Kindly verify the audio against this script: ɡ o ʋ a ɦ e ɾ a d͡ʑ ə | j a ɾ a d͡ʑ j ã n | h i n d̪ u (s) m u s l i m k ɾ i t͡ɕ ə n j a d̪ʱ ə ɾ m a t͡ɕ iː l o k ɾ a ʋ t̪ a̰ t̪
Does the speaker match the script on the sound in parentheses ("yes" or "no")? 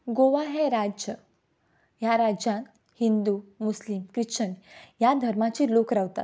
no